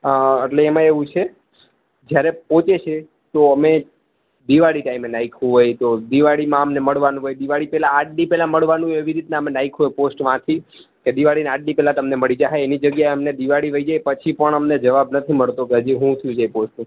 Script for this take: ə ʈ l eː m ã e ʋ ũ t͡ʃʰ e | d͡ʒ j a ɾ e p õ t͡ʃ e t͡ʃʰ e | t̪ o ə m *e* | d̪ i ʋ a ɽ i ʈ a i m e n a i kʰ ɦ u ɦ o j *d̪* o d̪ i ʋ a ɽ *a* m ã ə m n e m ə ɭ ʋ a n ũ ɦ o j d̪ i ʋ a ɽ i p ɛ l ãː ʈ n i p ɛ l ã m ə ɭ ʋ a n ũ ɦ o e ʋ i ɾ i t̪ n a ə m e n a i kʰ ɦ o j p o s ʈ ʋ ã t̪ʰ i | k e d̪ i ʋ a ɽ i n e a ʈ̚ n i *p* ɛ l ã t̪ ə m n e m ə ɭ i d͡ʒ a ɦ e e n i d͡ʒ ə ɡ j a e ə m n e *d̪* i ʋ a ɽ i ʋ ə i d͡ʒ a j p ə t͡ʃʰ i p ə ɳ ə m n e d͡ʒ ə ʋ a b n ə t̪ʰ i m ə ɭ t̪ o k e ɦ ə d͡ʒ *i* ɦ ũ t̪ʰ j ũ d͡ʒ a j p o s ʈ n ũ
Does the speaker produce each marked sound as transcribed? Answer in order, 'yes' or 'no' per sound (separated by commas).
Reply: yes, no, no, yes, yes, yes